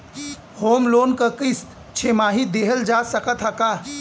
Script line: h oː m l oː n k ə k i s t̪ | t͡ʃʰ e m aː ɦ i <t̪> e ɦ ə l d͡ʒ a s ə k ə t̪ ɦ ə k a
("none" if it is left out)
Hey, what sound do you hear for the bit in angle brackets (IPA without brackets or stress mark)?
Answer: d̪